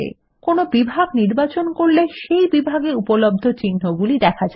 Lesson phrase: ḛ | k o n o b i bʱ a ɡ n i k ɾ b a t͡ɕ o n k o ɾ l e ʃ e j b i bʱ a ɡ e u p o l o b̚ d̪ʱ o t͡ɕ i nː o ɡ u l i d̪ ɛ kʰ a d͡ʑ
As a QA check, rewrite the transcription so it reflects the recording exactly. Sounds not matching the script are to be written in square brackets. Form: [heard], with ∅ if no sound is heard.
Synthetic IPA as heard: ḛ | k o n o b i bʱ a ɡ n i [∅] ɾ b a t͡ɕ o n k o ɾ l e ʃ e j b i bʱ a ɡ e u p o l o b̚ d̪ʱ o t͡ɕ i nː o ɡ u l i d̪ ɛ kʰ a d͡ʑ